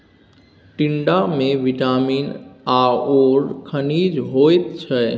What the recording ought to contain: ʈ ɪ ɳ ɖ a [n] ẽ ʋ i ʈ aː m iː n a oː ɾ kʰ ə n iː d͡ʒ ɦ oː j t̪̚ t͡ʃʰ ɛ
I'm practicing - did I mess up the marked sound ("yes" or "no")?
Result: yes